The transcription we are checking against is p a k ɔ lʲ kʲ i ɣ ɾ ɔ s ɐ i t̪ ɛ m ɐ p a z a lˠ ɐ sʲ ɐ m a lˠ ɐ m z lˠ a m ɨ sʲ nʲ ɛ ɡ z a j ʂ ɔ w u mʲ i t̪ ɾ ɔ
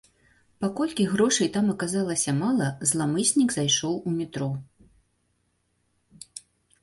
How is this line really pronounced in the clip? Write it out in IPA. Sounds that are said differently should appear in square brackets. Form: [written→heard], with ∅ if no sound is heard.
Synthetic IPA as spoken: p a k ɔ lʲ kʲ i ɣ ɾ ɔ [s→ʂ] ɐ [i→j] t̪ [ɛ→a] m ɐ [p→k] a z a lˠ ɐ sʲ ɐ m a lˠ ɐ [m→∅] z lˠ a m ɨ sʲ nʲ [ɛ→i] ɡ z a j ʂ ɔ w u mʲ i t̪ ɾ ɔ